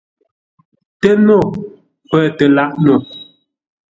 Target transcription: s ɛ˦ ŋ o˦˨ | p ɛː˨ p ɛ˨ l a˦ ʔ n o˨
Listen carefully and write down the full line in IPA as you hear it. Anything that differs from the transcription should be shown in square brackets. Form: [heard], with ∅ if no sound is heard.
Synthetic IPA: [t] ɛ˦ [n] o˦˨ | p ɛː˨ [t] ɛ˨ l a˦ ʔ n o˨